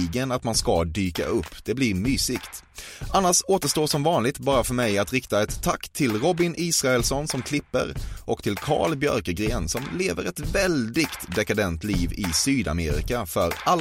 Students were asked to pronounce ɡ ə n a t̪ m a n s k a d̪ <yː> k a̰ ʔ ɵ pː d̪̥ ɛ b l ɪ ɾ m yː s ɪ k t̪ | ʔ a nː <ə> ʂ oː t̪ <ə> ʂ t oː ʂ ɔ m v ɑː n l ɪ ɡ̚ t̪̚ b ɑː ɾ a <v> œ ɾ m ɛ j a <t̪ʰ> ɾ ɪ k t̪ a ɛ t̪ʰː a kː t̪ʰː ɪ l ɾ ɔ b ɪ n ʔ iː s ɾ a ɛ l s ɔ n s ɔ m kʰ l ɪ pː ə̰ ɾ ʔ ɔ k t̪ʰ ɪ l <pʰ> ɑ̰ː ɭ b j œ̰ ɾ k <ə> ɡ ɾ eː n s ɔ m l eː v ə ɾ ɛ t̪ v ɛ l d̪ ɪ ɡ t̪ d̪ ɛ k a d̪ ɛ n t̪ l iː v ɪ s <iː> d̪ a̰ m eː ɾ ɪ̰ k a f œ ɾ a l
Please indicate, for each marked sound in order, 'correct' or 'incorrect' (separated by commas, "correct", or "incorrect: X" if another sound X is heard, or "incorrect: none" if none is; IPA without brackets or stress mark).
correct, incorrect: a, correct, incorrect: f, incorrect: t̪, incorrect: kʰ, correct, incorrect: yː